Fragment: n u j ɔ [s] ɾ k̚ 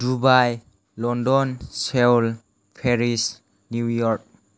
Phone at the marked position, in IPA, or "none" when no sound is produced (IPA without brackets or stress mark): none